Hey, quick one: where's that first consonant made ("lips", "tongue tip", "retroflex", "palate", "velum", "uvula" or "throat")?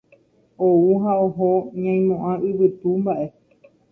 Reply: throat